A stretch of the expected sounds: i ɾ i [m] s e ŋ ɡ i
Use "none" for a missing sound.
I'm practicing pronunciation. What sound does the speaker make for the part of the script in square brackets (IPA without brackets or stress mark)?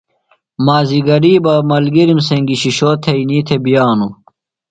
m